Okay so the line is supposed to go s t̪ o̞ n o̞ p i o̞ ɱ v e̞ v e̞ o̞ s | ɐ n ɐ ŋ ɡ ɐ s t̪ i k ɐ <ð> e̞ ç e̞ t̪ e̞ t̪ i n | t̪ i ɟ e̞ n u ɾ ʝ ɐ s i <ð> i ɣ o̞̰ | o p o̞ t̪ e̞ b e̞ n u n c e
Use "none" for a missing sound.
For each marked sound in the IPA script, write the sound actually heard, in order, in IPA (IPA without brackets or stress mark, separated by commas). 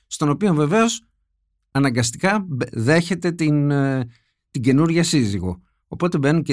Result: ð, z